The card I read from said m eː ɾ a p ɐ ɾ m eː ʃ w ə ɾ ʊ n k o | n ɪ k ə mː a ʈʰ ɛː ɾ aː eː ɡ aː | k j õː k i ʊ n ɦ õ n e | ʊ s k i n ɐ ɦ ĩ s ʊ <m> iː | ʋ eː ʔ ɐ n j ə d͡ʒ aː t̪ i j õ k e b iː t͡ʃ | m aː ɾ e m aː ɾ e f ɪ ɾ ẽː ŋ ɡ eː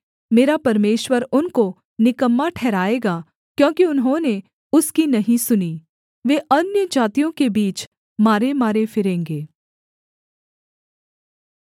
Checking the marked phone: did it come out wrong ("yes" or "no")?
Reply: yes